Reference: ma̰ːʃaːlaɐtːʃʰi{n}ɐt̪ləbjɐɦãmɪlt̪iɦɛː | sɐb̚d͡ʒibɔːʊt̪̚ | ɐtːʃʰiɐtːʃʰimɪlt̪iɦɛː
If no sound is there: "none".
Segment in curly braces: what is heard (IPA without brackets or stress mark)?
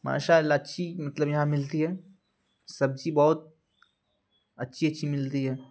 m